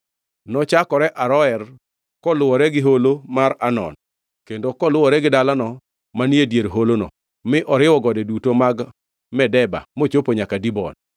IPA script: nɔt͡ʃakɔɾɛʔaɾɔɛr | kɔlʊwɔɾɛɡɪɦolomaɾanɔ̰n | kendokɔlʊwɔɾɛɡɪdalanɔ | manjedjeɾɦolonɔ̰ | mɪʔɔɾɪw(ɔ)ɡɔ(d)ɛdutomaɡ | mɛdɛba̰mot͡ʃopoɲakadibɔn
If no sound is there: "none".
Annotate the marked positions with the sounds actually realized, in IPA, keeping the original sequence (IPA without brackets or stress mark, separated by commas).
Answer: ɔ, d